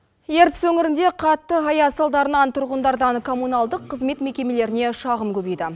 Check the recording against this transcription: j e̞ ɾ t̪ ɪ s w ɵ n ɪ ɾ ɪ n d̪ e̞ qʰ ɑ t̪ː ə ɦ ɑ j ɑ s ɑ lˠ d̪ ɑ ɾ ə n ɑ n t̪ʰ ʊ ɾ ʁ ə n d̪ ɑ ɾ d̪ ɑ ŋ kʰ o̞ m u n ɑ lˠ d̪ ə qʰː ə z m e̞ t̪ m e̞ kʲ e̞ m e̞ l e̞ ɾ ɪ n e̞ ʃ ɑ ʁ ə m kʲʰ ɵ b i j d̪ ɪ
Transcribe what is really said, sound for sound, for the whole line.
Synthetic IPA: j e̞ ɾ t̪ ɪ s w ɵ ŋ ɪ ɾ ɪ n d̪ e̞ qʰ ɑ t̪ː ə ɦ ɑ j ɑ s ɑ lˠ d̪ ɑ ɾ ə n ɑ n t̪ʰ ʊ ɾ ʁ ə n d̪ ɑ ɾ d̪ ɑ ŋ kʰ o̞ m u n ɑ lˠ d̪ ə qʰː ə z m e̞ t̪ m e̞ kʲ e̞ m e̞ l e̞ ɾ ɪ n e̞ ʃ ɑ ʁ ə m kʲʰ ɵ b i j d̪ ɪ